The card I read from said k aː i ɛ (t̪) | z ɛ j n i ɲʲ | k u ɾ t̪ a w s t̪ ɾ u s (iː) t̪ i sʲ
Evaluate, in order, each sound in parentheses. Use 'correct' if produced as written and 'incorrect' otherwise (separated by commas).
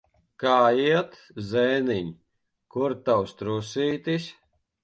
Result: correct, correct